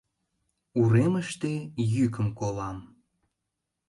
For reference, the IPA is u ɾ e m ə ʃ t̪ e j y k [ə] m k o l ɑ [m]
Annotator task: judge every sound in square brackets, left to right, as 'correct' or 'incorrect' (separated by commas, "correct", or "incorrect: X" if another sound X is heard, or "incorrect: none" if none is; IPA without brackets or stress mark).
correct, correct